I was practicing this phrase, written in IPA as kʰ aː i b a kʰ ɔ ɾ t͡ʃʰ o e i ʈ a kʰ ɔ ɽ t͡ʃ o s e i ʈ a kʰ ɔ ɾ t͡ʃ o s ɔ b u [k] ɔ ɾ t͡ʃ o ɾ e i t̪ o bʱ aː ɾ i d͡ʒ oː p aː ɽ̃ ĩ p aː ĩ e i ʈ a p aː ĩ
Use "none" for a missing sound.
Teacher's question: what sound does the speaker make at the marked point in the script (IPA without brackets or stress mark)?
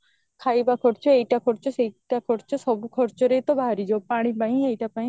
kʰ